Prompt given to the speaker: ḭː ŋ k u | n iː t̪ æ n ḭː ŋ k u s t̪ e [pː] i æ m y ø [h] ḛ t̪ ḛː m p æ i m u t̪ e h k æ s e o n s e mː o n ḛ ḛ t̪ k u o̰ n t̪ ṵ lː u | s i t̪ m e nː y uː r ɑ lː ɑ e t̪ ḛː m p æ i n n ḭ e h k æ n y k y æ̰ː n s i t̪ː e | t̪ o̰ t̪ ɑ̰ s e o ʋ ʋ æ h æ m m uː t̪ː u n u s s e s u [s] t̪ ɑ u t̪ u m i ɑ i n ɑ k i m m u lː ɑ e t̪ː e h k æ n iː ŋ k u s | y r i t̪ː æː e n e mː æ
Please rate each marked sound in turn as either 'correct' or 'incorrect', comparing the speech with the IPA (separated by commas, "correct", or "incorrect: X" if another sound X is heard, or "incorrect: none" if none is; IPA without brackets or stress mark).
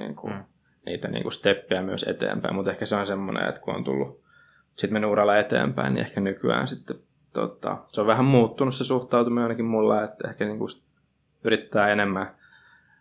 correct, incorrect: s, incorrect: h